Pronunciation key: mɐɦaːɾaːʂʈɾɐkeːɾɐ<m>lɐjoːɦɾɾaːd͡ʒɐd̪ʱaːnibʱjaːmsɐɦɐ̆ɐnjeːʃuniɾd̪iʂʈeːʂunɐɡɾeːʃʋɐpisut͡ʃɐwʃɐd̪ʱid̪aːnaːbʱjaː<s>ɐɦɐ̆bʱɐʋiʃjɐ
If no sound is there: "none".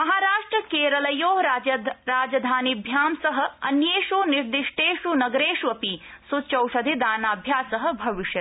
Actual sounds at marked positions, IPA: none, s

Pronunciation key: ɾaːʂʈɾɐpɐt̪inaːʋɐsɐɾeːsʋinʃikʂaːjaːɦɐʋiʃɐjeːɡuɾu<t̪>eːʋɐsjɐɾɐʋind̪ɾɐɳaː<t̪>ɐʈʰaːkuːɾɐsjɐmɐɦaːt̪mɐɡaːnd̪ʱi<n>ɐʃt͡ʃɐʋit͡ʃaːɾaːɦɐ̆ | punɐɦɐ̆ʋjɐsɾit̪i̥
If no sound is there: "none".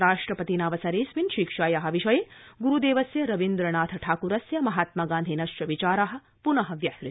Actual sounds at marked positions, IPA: d̪, t̪ʰ, n

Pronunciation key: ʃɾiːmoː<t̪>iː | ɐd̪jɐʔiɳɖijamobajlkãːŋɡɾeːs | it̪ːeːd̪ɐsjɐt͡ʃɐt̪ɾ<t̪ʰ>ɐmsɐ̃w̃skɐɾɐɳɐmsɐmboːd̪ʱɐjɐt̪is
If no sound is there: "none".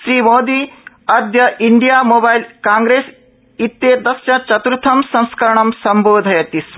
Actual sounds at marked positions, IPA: d̪, t̪ʰ

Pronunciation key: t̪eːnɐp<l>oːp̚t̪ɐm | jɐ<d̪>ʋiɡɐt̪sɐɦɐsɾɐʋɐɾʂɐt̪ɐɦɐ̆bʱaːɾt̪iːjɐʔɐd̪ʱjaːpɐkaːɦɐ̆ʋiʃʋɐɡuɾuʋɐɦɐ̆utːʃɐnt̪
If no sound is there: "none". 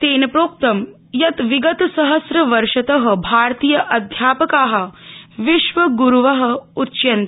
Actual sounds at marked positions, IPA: ɾ, t̪

